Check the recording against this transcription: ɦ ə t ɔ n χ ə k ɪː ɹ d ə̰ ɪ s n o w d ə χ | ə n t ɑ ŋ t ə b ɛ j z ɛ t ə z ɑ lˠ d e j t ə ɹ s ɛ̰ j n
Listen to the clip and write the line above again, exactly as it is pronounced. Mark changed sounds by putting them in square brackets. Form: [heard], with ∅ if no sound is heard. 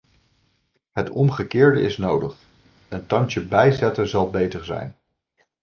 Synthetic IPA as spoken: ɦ ə t ɔ [m] χ ə k ɪː ɹ d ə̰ ɪ s n o w d ə χ | ə n t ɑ ŋ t ə b ɛ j z ɛ t ə z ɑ lˠ [b] e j t ə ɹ [z] ɛ̰ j n